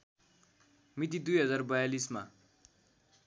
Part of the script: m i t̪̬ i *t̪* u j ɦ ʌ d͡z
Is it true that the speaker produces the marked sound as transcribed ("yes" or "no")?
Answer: no